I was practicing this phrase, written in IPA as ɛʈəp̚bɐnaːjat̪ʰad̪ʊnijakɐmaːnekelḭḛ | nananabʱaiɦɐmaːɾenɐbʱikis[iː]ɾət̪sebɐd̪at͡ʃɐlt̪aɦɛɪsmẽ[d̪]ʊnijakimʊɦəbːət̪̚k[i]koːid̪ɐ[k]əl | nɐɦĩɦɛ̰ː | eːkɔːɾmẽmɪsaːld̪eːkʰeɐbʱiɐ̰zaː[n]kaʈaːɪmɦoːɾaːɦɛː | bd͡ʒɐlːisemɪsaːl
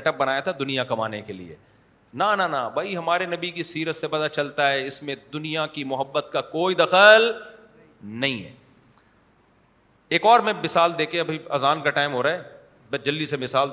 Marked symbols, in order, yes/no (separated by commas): yes, yes, no, no, yes